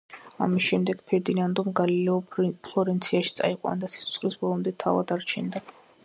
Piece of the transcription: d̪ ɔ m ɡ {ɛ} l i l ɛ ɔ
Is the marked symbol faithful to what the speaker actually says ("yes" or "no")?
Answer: no